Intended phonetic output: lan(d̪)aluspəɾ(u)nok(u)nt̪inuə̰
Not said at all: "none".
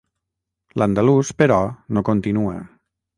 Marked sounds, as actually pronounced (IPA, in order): d̪, ɔ, o

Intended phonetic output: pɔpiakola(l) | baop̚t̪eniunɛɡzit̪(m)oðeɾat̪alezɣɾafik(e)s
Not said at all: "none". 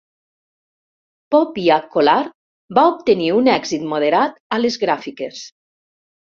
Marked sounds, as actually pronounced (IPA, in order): ɾ, m, e

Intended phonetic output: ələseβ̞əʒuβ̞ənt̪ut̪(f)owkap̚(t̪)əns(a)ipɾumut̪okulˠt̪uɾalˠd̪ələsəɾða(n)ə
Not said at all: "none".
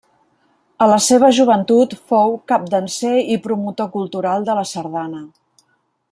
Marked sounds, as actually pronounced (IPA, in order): f, d̪, e, n

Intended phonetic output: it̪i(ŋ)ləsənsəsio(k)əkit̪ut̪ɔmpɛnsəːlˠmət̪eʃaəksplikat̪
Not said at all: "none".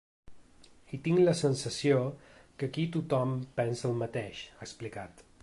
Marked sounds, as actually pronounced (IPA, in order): ŋ, k

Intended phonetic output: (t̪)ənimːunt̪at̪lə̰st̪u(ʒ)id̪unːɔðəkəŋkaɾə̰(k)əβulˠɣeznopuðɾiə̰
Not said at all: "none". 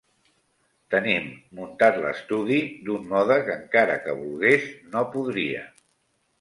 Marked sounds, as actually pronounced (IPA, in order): t̪, ð, k

